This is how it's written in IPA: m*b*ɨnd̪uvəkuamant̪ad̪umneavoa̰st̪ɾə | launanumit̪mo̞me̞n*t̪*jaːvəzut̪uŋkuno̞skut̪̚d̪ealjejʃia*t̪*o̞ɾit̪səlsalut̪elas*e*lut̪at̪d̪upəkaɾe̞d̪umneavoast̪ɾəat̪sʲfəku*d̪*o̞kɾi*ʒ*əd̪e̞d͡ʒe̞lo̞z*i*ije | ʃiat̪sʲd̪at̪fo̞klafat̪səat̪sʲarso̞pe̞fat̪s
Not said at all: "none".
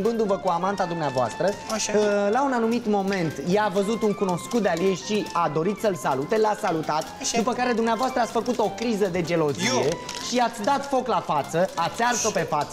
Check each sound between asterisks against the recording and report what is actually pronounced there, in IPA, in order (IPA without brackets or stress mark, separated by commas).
b, t̪, d̪, a, t̪, z, i